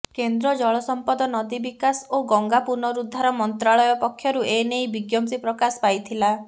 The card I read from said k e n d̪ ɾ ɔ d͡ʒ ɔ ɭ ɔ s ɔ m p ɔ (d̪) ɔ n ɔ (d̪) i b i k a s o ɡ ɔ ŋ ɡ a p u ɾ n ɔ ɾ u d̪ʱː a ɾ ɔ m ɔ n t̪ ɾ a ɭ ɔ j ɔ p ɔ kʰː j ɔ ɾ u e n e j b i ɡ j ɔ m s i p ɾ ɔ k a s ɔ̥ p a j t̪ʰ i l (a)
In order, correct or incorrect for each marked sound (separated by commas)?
correct, correct, correct